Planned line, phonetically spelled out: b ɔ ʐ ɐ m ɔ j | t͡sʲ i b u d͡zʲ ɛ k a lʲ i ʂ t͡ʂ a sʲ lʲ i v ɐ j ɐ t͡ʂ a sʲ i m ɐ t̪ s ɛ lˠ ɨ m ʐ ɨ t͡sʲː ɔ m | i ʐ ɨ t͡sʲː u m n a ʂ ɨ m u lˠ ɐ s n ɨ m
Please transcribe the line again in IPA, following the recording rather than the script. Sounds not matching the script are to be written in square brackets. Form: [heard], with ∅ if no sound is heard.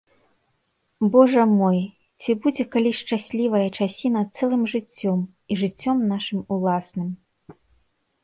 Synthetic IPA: b ɔ ʐ ɐ m ɔ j | t͡sʲ i b u d͡zʲ ɛ k a lʲ i ʂ t͡ʂ a sʲ lʲ i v ɐ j ɐ t͡ʂ a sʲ i [n] ɐ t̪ s ɛ lˠ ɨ m ʐ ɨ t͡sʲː ɔ m | i ʐ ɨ t͡sʲː [ɔ] m n a ʂ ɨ m u lˠ [a] s n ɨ m

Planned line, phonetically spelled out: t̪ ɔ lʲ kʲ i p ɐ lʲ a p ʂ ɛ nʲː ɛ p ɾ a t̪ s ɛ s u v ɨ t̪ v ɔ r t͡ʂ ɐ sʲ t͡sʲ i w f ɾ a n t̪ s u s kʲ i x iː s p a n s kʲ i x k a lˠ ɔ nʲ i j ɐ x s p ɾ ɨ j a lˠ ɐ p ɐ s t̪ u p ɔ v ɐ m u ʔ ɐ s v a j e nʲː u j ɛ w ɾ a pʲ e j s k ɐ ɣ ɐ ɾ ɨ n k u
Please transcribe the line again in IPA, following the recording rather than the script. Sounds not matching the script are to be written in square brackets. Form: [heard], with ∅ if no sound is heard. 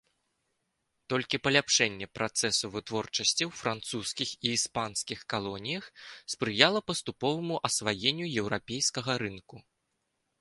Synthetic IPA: t̪ ɔ lʲ kʲ i p ɐ lʲ a p ʂ ɛ nʲː ɛ p ɾ a t̪ s ɛ s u v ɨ t̪ v ɔ r t͡ʂ ɐ sʲ t͡sʲ i w f ɾ a n t̪ s u s kʲ i x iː s p a n s kʲ i x k a lˠ ɔ nʲ i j ɐ x s p ɾ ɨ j a lˠ ɐ p ɐ s t̪ u p ɔ v ɐ m u ʔ ɐ s v a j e nʲː u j ɛ w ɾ a pʲ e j s k ɐ ɣ ɐ ɾ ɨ n k u

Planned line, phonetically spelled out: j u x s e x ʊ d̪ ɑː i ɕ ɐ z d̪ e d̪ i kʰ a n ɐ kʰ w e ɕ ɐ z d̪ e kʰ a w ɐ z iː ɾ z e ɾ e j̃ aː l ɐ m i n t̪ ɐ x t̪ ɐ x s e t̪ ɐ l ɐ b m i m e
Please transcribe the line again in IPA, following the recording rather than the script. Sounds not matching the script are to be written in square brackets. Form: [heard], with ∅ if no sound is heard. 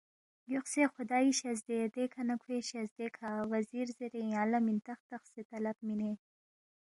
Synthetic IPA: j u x s e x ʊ d̪ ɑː i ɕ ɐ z d̪ e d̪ [e] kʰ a n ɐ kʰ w e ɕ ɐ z d̪ e kʰ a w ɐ z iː ɾ z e ɾ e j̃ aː l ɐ m i n t̪ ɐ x t̪ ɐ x s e t̪ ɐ l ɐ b m i [n] e

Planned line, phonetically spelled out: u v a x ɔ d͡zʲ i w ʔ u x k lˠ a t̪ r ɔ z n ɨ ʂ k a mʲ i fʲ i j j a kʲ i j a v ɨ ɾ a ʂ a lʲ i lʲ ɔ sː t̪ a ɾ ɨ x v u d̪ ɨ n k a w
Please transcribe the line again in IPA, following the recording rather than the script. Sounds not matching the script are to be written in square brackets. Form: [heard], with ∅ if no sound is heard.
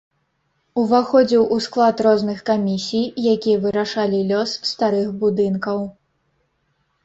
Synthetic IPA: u v a x ɔ d͡zʲ i w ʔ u [s] k lˠ a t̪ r ɔ z n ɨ [x] k a mʲ i [sʲ] i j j a kʲ i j [ɐ] v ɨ ɾ a ʂ a lʲ i lʲ ɔ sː t̪ a ɾ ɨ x [b] u d̪ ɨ n k [ɐ] w

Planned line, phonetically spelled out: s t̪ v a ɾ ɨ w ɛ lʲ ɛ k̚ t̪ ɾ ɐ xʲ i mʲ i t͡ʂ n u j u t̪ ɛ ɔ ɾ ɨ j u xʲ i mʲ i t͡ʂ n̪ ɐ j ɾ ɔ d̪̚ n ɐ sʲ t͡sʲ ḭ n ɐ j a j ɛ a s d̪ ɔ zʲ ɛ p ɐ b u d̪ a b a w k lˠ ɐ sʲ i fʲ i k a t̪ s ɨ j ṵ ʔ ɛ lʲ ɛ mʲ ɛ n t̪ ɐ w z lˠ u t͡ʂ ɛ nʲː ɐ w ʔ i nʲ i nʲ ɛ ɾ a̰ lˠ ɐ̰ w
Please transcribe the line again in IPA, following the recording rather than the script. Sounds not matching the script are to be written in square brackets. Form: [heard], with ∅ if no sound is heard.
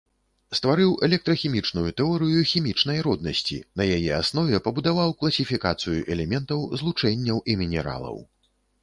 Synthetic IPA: s t̪ v a ɾ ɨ w ɛ lʲ ɛ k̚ t̪ ɾ ɐ xʲ i mʲ i t͡ʂ n u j u t̪ ɛ ɔ ɾ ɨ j u xʲ i mʲ i t͡ʂ n̪ ɐ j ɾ ɔ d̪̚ n ɐ sʲ t͡sʲ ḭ n ɐ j a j ɛ a s [n̪] ɔ [vʲ] ɛ p ɐ b u d̪ a [v] a w k lˠ ɐ sʲ i fʲ i k a t̪ s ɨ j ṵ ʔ ɛ lʲ ɛ mʲ ɛ n t̪ ɐ w z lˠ u t͡ʂ ɛ nʲː ɐ w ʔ i [mʲ] i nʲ ɛ ɾ a̰ lˠ ɐ̰ w

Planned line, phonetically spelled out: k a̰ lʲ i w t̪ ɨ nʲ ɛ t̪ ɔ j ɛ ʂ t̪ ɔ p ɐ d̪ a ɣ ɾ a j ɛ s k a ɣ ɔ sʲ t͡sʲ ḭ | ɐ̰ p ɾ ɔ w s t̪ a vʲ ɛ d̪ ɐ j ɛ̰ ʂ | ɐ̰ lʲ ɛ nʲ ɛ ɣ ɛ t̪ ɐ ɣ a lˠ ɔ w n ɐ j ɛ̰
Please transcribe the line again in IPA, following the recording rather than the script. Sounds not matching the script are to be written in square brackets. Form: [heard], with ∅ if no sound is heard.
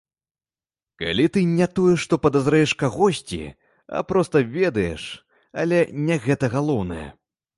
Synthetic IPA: k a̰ lʲ i [∅] t̪ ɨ nʲ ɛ t̪ ɔ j ɛ ʂ t̪ ɔ p ɐ d̪ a [z] ɾ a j ɛ [ʂ] k a ɣ ɔ sʲ t͡sʲ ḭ | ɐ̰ p ɾ ɔ [∅] s t̪ [ɐ] vʲ ɛ d̪ ɐ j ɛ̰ ʂ | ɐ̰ lʲ ɛ nʲ ɛ ɣ ɛ t̪ ɐ ɣ a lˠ ɔ w n ɐ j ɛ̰

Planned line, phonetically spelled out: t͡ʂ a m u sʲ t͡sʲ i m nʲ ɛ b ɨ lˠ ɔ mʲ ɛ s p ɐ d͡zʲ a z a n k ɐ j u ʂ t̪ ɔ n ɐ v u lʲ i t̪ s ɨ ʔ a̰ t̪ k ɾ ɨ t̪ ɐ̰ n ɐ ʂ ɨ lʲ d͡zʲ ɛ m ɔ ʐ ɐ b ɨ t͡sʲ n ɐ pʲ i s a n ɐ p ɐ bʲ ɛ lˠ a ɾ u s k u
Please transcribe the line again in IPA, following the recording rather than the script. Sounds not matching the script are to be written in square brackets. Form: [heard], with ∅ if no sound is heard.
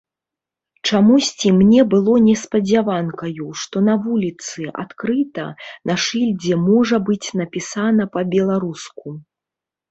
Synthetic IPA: t͡ʂ a m u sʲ t͡sʲ i m nʲ ɛ b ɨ lˠ ɔ [nʲ] ɛ s p ɐ d͡zʲ a [v] a n k ɐ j u ʂ t̪ ɔ n ɐ v u lʲ i t̪ s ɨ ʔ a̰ t̪ k ɾ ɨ t̪ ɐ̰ n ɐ ʂ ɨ lʲ d͡zʲ ɛ m ɔ ʐ ɐ b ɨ t͡sʲ n ɐ pʲ i s a n ɐ p ɐ bʲ ɛ lˠ a ɾ u s k u

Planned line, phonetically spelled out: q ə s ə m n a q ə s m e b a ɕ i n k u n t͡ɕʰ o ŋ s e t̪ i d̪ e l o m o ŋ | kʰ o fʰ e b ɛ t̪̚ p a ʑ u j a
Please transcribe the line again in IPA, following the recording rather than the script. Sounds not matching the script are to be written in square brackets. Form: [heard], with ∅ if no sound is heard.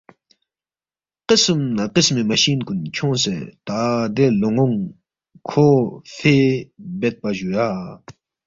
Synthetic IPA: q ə s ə m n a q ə s m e [m] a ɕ i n k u n t͡ɕʰ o ŋ s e t̪ [a] d̪ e l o [ŋ] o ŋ | kʰ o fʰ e b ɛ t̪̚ p a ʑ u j a

